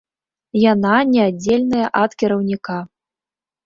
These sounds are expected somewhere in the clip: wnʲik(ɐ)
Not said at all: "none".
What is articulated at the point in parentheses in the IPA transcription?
a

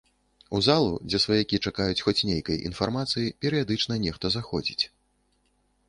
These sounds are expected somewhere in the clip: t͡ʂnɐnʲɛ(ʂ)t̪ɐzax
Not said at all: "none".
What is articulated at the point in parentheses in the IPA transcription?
x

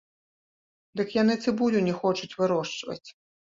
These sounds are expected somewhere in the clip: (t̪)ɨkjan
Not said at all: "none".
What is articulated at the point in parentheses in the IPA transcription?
d̪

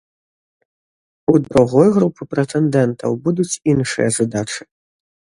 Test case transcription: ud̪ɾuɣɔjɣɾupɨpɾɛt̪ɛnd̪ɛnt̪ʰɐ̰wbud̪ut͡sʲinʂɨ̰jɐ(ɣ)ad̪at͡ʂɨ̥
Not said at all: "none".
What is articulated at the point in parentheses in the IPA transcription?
z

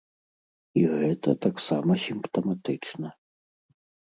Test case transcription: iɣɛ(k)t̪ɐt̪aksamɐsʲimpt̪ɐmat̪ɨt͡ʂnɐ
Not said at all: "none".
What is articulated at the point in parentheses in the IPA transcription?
none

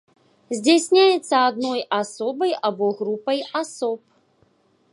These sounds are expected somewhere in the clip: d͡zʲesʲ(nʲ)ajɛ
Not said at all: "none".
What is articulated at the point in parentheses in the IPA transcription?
nʲ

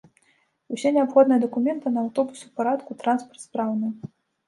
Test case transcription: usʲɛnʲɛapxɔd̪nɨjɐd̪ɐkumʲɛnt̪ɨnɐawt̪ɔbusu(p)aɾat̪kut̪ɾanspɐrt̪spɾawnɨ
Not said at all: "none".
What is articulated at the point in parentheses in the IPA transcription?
p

